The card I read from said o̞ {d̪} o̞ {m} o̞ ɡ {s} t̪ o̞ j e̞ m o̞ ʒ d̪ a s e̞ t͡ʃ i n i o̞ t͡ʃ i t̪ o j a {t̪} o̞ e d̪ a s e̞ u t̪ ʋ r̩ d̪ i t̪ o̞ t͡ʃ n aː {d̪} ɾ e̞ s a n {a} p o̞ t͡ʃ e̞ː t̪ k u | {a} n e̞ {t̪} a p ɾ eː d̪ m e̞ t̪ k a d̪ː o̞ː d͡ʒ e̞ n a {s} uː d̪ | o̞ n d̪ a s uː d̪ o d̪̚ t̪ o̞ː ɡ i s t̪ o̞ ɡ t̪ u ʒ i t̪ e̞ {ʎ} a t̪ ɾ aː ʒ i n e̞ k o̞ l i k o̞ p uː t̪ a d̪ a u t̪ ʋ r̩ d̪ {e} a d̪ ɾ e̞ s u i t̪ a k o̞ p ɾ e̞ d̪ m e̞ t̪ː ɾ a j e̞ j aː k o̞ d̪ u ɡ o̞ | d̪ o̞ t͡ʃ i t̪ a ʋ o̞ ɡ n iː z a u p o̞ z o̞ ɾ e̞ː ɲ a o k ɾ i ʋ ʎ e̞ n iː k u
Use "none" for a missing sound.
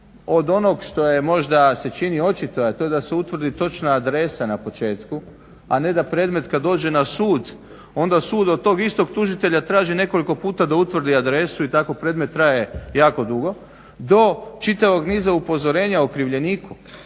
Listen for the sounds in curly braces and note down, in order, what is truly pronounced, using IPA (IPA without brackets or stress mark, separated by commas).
d̪, n, ʃ, t̪, d̪, a, a, d̪, s, ʎ, i